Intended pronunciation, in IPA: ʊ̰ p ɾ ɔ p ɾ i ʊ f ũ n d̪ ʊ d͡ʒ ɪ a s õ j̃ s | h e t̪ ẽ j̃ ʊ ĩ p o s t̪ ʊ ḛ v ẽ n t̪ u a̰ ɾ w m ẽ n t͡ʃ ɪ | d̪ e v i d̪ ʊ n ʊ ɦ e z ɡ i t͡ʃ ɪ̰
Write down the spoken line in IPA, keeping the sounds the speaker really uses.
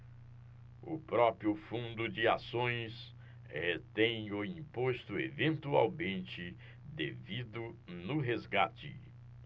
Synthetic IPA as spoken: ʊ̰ p ɾ ɔ p ɾ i ʊ f ũ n d̪ ʊ d͡ʒ ɪ a s õ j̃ s | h e t̪ ẽ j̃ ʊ ĩ p o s t̪ ʊ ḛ v ẽ n t̪ u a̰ w m ẽ n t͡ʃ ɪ | d̪ e v i d̪ ʊ n ʊ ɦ e z ɡ a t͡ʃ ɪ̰

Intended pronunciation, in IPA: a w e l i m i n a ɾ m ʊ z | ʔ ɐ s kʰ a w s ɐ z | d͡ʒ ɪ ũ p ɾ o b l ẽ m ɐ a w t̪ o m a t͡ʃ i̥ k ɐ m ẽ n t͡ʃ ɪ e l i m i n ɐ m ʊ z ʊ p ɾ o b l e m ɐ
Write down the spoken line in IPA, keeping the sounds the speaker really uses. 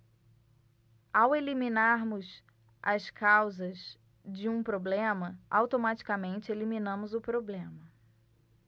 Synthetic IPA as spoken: a w e l i m i n a ɾ m ʊ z | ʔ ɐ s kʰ a w z ɐ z | d͡ʒ ɪ ũ p ɾ o b l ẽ m ɐ a w t̪ o m a t͡ʃ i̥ k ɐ m ẽ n t͡ʃ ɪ e l i m i n ɐ̃ m ʊ z ʊ p ɾ o b l ẽ m ɐ

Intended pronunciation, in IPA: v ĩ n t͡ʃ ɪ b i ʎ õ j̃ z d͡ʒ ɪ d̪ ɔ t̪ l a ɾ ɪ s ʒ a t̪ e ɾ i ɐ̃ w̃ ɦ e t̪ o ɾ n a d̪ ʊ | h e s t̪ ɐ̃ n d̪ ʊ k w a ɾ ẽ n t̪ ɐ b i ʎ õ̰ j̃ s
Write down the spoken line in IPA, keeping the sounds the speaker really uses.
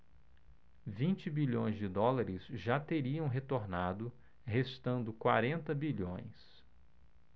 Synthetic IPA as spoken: v ĩ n t͡ʃ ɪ b i ʎ õ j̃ z d͡ʒ ɪ d̪ ɔ l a ɾ ɪ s ʒ a t̪ e ɾ i ɐ̃ w̃ ɦ e t̪ o ɾ n a d̪ ʊ | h e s t̪ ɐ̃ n d̪ ʊ k w a ɾ ẽ n t̪ ɐ b i ʎ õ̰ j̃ s

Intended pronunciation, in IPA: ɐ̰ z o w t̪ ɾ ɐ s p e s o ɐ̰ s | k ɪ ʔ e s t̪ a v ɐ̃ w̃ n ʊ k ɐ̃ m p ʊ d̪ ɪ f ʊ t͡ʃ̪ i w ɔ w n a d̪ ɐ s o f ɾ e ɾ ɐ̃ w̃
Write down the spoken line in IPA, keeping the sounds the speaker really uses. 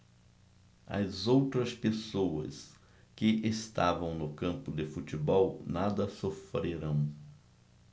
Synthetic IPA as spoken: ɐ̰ z o w t̪ ɾ ɐ s p e s o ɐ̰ s | k ɪ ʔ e s t̪ a v ɐ̃ w̃ n ʊ k ɐ̃ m p ʊ d̪ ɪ f u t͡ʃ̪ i b ɔ w n a d̪ ɐ s o f ɾ e ɾ ɐ̃ w̃

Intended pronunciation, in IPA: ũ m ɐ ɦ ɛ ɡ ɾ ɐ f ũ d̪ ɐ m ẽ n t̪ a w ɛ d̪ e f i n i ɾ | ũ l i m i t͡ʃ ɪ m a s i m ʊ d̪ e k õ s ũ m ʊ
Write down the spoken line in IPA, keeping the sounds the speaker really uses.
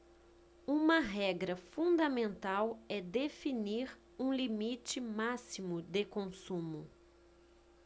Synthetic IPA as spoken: ũ m ɐ ɦ ɛ ɡ ɾ ɐ f ũ d̪ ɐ m ẽ n t̪ a w ɛ d̪ e f i n i ɾ | ũ l i m i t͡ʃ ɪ m a s i m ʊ d̪ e k õ s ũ m ʊ

